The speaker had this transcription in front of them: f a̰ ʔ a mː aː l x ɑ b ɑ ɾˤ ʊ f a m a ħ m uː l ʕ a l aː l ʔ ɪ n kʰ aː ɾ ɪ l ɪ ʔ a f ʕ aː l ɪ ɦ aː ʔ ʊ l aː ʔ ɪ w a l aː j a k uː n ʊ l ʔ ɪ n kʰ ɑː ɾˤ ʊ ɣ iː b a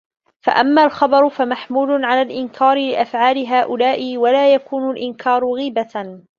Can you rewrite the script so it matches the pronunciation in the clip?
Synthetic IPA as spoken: f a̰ ʔ a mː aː l x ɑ b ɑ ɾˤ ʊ f a m a ħ m uː l ʕ a l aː l ʔ ɪ n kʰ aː ɾ ɪ l ɪ ʔ a f ʕ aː l ɪ ɦ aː ʔ ʊ l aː ʔ ɪ w a l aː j a k uː n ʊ l ʔ ɪ n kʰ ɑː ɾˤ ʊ ɣ iː b a